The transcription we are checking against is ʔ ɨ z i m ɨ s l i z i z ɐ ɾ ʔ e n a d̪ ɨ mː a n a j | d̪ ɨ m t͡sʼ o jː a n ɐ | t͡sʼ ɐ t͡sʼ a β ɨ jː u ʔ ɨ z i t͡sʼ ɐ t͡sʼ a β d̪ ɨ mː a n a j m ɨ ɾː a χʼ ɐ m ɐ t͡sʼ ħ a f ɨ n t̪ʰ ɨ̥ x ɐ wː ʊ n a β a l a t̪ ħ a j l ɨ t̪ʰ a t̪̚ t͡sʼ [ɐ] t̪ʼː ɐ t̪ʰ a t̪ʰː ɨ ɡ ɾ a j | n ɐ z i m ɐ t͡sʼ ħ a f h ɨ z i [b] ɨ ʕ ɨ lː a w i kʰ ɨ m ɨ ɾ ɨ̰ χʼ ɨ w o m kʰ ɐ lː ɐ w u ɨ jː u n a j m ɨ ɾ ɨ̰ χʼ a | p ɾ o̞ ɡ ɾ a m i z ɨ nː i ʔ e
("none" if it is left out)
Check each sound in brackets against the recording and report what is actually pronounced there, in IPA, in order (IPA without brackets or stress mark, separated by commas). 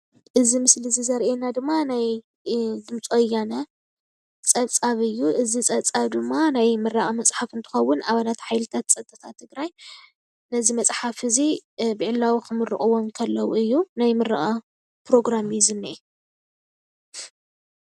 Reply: ɐ, b